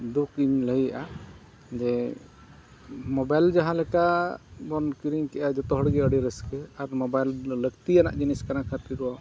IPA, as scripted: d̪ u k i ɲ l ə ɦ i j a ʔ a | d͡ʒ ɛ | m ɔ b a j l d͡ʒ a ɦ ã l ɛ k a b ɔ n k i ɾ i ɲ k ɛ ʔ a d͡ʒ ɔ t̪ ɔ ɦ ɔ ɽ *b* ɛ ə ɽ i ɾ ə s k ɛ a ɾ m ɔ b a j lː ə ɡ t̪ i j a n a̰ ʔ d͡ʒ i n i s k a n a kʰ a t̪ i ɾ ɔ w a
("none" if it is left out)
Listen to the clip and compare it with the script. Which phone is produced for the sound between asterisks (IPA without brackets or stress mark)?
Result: ɡ